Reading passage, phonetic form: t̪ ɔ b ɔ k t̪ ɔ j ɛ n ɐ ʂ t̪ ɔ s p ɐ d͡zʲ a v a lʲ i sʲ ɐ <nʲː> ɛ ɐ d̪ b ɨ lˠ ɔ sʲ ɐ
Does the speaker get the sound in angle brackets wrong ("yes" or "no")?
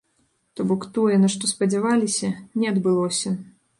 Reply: yes